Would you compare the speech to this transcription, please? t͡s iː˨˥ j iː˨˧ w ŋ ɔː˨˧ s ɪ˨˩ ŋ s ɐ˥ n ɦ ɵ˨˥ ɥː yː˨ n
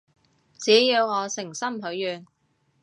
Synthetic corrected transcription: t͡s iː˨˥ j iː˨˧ w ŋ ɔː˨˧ s ɪ˨˩ ŋ s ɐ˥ m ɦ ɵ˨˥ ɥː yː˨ n

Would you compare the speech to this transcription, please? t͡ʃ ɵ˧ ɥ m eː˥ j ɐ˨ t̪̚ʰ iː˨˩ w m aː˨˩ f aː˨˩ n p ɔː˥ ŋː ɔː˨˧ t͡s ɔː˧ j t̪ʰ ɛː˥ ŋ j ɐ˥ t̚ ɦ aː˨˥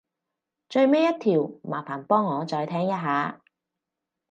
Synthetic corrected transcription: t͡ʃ ɵ˧ ɥ m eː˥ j ɐ˥ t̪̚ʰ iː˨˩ w m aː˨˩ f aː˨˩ n p ɔː˥ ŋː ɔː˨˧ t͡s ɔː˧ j t̪ʰ ɛː˥ ŋ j ɐ˥ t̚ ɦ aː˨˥

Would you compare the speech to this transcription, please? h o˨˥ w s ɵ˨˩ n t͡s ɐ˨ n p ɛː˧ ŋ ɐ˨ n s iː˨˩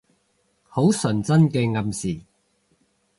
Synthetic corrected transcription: h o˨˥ w s ɵ˨˩ n t͡s ɐ˥ n k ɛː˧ ŋ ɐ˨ m s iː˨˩

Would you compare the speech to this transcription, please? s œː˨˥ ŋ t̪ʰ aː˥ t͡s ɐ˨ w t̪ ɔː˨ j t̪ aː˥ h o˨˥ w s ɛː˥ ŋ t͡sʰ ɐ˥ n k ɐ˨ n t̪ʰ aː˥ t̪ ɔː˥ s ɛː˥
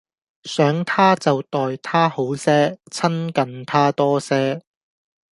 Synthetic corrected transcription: s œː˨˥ ŋ t̪ʰ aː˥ t͡s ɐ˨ w t̪ ɔː˨ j t̪ʰ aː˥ h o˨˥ w s ɛː˥ t͡sʰ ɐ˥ n k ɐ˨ n t̪ʰ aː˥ t̪ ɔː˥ s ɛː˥

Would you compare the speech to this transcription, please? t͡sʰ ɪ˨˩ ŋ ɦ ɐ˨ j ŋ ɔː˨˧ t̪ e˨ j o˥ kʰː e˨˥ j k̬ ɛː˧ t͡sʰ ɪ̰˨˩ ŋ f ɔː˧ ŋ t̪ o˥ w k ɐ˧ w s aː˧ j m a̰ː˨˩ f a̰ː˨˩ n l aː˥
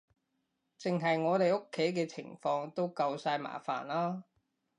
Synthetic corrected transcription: t͡s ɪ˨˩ ŋ ɦ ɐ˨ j ŋ ɔː˨˧ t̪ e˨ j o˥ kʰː e˨˥ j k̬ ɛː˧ t͡sʰ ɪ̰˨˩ ŋ f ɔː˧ ŋ t̪ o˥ w k ɐ˧ w s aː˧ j m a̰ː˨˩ f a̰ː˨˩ n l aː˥

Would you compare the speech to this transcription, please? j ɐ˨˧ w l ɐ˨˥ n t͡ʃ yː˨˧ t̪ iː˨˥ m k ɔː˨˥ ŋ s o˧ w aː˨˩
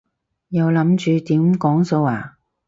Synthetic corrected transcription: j ɐ˨˧ w l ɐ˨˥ m t͡ʃ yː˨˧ t̪ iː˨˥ m k ɔː˨˥ ŋ s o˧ w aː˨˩

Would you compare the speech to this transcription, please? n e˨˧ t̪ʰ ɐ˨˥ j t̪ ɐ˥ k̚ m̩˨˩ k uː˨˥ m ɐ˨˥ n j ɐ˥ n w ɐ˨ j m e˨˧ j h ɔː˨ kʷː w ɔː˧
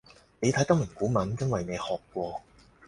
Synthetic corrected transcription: n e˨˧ t̪ʰ ɐ˨˥ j t̪ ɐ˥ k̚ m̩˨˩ k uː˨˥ m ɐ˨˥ n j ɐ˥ n w ɐ˨ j n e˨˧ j h ɔː˨ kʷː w ɔː˧

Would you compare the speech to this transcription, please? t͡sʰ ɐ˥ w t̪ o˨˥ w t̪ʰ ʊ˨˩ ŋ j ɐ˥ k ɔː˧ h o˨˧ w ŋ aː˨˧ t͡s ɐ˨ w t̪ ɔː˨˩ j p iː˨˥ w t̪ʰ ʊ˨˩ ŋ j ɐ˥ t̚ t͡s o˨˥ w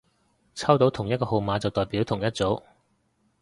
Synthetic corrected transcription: t͡sʰ ɐ˥ w t̪ o˨˥ w t̪ʰ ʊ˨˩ ŋ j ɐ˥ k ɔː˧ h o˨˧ w m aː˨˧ t͡s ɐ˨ w t̪ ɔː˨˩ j p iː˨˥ w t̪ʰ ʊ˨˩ ŋ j ɐ˥ t̚ t͡s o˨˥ w

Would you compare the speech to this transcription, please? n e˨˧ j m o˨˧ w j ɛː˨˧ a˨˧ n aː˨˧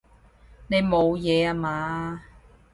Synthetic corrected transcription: n e˨˧ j m o˨˧ w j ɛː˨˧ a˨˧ m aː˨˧

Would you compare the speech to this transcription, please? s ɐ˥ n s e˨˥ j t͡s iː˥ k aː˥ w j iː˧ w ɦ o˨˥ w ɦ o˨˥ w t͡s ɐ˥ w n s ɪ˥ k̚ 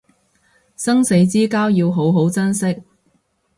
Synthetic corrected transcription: s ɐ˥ ŋ s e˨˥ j t͡s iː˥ k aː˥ w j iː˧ w ɦ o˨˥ w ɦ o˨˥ w t͡s ɐ˥ n s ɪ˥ k̚

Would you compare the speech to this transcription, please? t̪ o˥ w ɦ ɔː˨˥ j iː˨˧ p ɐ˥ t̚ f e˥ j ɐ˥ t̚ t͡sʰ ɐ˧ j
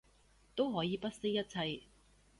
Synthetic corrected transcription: t̪ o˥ w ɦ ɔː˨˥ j iː˨˧ p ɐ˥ t̚ s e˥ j ɐ˥ t̚ t͡sʰ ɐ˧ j

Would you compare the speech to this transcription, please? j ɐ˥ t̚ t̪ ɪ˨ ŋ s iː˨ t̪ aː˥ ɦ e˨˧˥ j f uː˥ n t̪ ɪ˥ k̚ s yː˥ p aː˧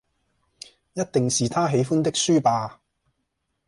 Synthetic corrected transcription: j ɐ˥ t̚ t̪ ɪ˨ ŋ s iː˨ t̪ʰ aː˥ ɦ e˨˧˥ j f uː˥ n t̪ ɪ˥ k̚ s yː˥ p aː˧

